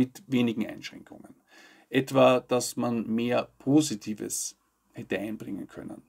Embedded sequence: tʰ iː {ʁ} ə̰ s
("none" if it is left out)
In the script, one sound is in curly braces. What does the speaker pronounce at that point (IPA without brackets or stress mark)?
v